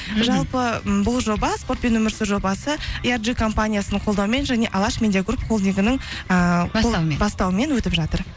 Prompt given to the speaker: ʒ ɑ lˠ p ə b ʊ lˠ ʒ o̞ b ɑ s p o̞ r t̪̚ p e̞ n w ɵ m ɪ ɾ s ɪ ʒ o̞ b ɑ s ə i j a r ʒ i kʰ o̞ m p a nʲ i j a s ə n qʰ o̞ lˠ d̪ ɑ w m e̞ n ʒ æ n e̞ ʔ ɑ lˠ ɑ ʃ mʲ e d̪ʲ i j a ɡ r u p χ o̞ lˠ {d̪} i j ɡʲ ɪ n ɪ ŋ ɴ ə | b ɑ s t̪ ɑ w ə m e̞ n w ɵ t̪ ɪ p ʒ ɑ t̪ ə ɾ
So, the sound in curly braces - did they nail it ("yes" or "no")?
yes